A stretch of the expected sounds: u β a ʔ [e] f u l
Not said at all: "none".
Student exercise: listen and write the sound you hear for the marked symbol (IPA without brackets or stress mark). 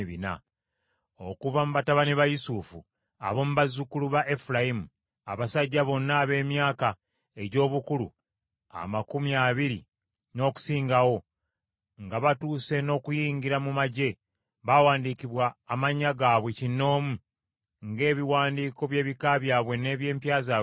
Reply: e